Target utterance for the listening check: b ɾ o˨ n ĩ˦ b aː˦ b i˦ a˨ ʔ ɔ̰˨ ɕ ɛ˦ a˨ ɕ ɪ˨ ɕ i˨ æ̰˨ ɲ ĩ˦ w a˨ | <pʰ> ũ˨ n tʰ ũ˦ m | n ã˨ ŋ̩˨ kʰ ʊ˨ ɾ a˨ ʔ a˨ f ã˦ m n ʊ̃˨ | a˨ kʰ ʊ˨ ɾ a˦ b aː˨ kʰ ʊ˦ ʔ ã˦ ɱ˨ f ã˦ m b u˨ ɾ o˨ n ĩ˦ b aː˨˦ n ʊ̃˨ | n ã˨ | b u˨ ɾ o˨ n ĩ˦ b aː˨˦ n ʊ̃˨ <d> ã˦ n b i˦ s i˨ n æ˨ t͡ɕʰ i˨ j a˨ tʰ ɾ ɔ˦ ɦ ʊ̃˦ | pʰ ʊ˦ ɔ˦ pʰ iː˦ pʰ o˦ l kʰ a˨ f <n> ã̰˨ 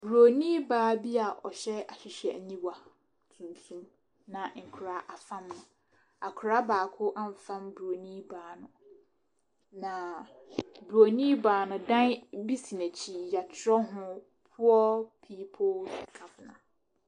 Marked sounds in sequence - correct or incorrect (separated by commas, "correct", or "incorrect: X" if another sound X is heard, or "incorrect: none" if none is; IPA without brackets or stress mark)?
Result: incorrect: tʰ, correct, correct